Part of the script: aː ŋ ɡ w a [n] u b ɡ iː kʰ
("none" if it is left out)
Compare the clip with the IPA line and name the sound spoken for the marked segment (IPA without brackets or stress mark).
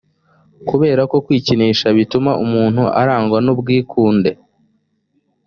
n